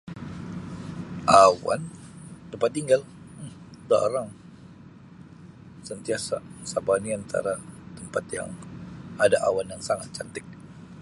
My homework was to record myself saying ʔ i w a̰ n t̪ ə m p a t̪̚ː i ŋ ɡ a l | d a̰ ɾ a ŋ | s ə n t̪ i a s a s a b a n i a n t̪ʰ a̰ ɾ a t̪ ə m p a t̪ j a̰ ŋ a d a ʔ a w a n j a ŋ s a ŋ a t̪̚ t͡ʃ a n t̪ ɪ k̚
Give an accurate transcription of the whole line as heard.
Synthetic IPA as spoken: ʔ a w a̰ n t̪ ə m p a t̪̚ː i ŋ ɡ a l | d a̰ ɾ a ŋ | s ə n t̪ i a s a s a b a n i a n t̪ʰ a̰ ɾ a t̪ ə m p a t̪ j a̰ ŋ a d a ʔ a w a n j a ŋ s a ŋ a t̪̚ t͡ʃ a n t̪ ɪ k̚